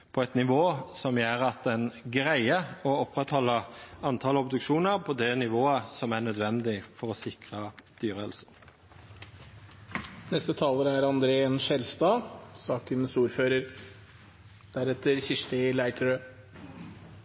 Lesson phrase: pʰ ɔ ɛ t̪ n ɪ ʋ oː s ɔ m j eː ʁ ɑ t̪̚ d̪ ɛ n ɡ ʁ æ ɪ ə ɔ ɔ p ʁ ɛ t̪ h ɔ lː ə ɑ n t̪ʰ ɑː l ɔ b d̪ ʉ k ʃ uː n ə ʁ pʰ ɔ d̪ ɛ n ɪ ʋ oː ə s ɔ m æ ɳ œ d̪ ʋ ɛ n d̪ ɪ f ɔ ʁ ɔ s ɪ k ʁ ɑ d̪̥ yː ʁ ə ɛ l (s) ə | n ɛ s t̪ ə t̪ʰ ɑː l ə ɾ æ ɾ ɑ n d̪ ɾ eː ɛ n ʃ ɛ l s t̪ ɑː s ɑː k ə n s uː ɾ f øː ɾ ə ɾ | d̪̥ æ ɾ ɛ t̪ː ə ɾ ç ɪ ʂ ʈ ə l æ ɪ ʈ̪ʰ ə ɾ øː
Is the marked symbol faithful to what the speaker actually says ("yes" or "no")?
yes